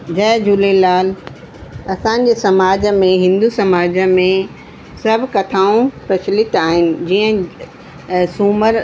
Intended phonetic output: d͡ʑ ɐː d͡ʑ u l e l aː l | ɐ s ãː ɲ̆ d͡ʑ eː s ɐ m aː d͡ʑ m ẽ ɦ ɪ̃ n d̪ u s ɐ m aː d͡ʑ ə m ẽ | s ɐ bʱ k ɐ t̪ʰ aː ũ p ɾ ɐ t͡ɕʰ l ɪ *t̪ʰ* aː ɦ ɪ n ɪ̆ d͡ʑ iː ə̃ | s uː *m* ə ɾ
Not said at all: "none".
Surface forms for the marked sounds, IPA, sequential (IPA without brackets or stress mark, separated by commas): t̪, m